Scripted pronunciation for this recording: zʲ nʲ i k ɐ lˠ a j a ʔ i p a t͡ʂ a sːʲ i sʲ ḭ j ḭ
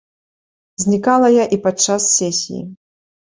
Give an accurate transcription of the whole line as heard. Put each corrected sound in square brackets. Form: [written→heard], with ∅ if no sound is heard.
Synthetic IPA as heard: zʲ nʲ i k [ɐ→a] lˠ [a→ɐ] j a ʔ i p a t͡ʂ a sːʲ [i→ɛ] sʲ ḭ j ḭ